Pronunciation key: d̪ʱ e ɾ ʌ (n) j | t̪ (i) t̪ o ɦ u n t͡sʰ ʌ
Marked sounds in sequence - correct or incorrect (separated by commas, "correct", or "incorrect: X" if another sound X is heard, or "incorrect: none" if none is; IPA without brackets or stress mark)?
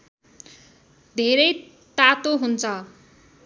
incorrect: none, incorrect: a